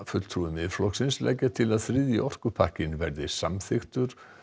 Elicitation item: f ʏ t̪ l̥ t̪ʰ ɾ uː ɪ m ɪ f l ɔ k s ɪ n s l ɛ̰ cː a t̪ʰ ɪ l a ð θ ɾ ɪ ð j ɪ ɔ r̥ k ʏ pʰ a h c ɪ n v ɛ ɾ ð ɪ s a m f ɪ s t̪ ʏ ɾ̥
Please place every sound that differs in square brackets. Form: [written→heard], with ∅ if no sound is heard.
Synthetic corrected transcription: f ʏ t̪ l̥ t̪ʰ ɾ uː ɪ m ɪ f l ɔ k s ɪ n s l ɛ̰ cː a t̪ʰ ɪ l a ð θ ɾ ɪ ð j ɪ ɔ r̥ k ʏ pʰ a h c ɪ n v ɛ ɾ ð ɪ s a m [f→θ] ɪ [s→x] t̪ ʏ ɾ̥